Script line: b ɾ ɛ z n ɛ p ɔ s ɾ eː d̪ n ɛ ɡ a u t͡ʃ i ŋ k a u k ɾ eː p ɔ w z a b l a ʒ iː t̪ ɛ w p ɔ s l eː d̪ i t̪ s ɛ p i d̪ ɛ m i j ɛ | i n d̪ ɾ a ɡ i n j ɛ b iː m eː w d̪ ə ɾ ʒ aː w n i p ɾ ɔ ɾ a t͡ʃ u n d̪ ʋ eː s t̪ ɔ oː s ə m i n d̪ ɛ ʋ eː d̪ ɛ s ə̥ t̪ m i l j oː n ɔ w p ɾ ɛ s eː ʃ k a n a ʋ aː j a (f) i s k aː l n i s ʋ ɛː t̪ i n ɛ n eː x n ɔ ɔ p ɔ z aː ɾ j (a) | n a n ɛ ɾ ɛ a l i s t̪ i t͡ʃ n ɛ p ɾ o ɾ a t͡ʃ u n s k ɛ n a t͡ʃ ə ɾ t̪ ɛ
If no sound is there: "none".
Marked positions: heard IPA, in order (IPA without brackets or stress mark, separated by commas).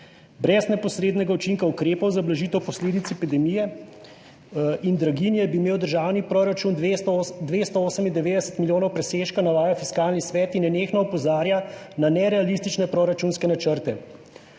f, a